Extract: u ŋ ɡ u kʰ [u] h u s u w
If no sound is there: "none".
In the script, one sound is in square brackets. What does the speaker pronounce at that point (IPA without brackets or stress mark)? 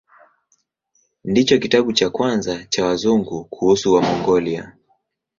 u